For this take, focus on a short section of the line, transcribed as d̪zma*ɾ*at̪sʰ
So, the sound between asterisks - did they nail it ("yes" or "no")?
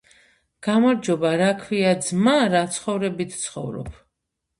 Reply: yes